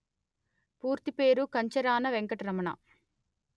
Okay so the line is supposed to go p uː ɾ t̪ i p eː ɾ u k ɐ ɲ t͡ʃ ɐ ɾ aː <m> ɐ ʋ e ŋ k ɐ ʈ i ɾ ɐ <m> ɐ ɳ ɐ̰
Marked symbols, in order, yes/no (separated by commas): no, yes